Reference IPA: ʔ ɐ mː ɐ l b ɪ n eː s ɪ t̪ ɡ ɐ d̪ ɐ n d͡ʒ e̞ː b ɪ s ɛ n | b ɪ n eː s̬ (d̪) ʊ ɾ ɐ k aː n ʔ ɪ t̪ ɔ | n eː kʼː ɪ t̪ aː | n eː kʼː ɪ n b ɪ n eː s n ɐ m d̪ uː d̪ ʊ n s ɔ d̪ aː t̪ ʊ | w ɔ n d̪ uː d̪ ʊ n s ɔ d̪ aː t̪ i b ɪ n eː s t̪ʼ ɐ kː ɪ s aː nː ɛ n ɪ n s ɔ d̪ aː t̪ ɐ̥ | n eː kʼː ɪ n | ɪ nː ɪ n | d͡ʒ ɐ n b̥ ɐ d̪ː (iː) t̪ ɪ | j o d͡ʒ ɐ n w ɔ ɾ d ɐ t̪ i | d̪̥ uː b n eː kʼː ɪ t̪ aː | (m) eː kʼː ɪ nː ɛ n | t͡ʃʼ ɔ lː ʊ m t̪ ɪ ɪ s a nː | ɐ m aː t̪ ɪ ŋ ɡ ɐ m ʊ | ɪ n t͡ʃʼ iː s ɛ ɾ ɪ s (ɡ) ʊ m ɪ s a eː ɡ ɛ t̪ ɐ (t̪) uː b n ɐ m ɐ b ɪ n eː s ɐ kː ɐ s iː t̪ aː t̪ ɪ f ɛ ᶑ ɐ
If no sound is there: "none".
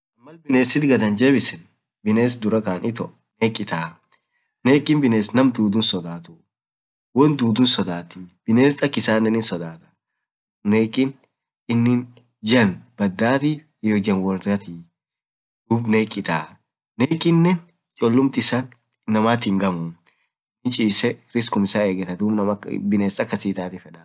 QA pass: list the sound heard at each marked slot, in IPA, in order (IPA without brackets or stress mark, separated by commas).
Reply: d̪, aː, n, k, d̪